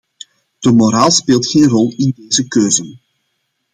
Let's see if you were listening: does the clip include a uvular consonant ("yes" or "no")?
no